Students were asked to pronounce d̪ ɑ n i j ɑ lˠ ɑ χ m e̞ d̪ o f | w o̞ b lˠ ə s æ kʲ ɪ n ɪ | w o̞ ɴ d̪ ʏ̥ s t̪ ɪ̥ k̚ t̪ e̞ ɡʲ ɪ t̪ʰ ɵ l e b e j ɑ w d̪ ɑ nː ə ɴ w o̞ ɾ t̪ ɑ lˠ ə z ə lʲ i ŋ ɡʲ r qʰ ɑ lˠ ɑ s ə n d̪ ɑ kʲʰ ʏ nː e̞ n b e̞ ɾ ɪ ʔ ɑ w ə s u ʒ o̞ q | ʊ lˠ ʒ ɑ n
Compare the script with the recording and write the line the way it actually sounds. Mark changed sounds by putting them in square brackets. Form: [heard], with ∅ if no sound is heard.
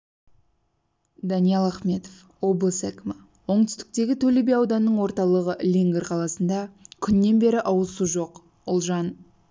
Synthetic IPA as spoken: d̪ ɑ n i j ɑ lˠ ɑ χ m e̞ [t̪] o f | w o̞ b lˠ ə s æ kʲ ɪ [m] ɪ | w o̞ ɴ [t̪] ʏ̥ s t̪ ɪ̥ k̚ t̪ e̞ ɡʲ ɪ t̪ʰ ɵ l e b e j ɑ w d̪ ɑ nː ə ɴ w o̞ ɾ t̪ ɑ lˠ ə [ʁ] ə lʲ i ŋ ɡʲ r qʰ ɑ lˠ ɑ s ə n d̪ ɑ kʲʰ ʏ nː e̞ n b e̞ ɾ ɪ ʔ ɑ w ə s u ʒ o̞ q | ʊ lˠ ʒ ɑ n

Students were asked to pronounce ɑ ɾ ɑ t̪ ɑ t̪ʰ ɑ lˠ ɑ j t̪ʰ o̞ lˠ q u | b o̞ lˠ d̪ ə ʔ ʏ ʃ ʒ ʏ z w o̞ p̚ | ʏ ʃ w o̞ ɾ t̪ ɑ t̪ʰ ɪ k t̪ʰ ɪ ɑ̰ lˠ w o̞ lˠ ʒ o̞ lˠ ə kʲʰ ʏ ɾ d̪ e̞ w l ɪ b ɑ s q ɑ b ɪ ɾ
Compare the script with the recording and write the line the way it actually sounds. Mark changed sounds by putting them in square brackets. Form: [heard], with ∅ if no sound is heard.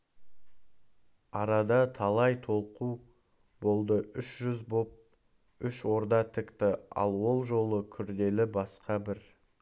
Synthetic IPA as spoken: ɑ ɾ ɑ [d̪] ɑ t̪ʰ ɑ lˠ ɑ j t̪ʰ o̞ lˠ q u | b o̞ lˠ d̪ ə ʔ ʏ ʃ ʒ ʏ z [b] o̞ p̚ | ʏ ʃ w o̞ ɾ [d̪] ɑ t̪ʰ ɪ k [t̪] ɪ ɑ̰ lˠ w o̞ lˠ ʒ o̞ lˠ ə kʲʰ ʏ ɾ d̪ e̞ [∅] l ɪ b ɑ s q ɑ b ɪ ɾ

